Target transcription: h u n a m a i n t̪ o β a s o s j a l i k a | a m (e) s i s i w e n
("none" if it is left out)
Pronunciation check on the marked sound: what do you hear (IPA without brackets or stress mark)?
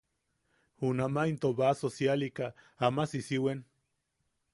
a